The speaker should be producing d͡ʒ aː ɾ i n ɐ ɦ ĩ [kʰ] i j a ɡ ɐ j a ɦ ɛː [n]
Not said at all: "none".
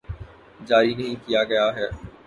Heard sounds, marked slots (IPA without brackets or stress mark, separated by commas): k, none